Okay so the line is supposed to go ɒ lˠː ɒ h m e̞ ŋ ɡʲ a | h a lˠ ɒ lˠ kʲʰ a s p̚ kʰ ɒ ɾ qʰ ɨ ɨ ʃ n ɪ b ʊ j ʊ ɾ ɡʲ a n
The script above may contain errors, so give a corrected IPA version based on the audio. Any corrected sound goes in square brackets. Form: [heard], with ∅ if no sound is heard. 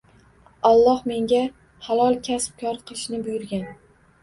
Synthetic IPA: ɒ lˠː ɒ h m e̞ ŋ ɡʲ a | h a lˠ ɒ lˠ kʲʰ a s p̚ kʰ ɒ ɾ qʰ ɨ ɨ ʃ n ɪ b ʊ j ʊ ɾ ɡʲ a n